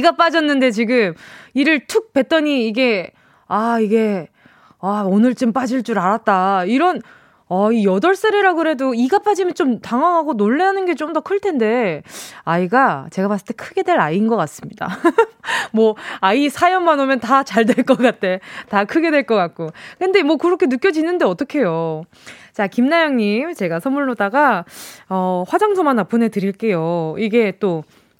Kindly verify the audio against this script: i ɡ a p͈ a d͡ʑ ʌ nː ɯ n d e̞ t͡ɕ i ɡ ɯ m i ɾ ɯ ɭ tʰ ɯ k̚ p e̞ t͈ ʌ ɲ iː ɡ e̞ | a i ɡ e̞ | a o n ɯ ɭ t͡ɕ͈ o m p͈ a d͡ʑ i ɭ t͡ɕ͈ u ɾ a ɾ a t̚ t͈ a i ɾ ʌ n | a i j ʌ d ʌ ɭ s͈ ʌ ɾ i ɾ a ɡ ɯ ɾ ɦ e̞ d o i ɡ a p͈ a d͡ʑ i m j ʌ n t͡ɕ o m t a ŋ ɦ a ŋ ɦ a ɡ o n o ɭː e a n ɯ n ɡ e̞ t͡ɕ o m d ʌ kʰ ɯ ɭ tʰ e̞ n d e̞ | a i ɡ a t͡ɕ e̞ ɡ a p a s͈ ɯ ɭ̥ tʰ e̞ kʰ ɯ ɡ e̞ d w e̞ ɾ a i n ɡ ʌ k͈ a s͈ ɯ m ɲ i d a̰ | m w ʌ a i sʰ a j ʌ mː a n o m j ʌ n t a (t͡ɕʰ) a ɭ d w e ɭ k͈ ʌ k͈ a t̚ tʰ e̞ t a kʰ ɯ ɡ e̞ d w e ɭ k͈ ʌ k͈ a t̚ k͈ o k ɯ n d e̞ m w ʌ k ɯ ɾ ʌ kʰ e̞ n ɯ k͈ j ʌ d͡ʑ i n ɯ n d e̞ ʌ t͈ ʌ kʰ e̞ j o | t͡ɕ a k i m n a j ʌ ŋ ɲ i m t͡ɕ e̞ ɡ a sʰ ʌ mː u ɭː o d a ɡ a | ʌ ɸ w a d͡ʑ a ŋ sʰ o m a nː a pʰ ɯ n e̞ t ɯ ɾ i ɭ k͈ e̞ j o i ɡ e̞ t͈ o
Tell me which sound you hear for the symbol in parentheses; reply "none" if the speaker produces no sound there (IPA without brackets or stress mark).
t͡ɕ